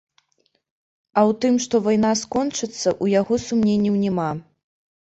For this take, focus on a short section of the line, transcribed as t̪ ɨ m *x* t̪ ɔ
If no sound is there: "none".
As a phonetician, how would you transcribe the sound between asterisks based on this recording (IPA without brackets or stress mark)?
ʂ